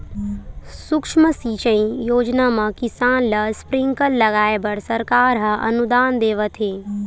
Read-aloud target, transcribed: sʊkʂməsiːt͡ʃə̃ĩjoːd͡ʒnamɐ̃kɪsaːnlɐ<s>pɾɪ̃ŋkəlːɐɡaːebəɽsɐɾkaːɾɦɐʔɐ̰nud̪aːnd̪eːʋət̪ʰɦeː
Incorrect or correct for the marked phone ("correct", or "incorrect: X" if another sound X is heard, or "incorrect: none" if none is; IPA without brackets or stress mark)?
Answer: correct